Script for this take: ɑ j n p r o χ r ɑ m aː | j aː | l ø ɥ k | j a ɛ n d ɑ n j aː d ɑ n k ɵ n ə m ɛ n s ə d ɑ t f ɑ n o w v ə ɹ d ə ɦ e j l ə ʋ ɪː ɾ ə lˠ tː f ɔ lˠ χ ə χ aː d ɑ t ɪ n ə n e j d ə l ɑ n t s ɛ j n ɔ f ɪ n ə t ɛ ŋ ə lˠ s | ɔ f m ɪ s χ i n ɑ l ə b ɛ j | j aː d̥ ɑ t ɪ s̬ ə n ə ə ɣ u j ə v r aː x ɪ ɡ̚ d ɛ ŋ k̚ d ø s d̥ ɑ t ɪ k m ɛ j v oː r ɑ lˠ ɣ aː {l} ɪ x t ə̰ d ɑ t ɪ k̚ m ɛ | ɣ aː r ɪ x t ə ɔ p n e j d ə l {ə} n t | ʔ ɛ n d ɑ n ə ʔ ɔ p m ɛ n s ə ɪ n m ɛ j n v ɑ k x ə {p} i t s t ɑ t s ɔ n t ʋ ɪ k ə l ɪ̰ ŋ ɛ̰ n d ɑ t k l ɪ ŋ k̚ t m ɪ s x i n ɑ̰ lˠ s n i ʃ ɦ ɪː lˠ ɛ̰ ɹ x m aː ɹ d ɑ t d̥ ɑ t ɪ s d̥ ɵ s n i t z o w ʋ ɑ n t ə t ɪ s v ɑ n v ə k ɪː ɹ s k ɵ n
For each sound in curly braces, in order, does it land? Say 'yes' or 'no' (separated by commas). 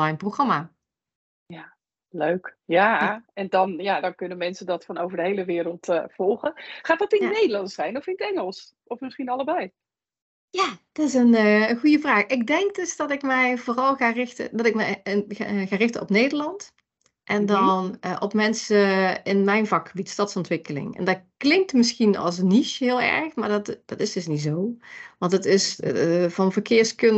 no, no, no